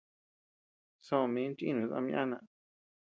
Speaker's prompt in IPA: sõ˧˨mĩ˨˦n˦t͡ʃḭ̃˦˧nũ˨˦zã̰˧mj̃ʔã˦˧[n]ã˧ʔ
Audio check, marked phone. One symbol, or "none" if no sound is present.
n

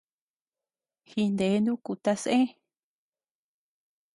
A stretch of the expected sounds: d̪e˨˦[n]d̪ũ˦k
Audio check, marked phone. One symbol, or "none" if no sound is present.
n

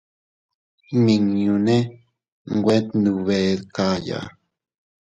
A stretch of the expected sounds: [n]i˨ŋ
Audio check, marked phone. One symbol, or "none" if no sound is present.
m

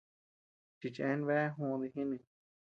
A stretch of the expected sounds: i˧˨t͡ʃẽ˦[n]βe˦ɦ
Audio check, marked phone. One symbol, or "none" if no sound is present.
n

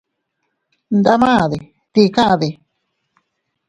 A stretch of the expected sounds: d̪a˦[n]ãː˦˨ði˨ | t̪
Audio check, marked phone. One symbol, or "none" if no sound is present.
m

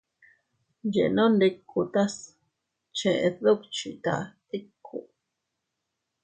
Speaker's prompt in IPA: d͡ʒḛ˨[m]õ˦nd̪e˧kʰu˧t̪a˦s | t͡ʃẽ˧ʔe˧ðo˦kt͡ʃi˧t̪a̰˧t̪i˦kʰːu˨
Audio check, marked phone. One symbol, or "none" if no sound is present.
n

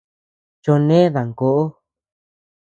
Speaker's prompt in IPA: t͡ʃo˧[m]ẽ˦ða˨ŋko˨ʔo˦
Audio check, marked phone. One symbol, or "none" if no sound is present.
n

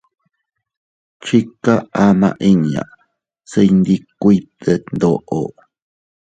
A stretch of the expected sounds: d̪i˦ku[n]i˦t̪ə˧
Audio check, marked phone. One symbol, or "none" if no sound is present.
none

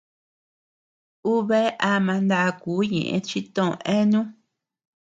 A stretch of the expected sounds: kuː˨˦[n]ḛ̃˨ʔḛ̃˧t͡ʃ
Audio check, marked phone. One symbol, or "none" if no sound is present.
ɲ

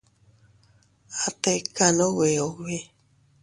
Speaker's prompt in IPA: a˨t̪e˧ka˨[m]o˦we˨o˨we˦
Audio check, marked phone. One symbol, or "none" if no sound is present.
n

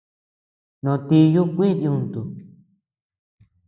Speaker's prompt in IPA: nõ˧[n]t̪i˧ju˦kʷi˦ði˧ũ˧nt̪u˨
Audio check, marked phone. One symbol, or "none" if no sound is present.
none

